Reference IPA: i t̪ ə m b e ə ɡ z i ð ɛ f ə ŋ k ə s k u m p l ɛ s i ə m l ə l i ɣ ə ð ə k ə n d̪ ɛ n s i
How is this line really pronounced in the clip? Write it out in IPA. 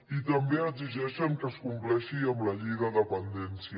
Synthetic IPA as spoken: i t̪ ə m b e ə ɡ z i ʒ ɛ ʃ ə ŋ k ə s k u m p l ɛ ʃ i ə m l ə ʎ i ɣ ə ð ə p ə n d̪ ɛ n s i